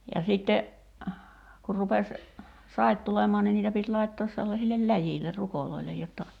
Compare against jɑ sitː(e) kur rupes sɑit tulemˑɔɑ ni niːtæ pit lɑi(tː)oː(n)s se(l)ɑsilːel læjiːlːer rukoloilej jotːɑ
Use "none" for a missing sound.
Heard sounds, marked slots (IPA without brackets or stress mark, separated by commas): e, tː, none, lː